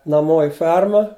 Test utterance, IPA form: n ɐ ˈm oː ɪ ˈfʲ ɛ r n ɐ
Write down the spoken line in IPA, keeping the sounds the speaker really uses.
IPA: n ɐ ˈm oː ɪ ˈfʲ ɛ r m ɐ